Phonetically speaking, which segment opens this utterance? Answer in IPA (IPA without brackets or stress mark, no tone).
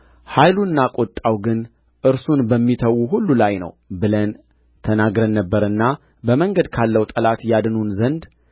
h